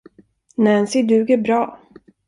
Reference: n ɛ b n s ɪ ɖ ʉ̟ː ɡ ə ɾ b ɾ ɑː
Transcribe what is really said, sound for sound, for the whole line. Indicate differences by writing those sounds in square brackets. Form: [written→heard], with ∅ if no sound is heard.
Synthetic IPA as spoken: n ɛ [b→∅] n s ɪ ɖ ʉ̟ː ɡ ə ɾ b ɾ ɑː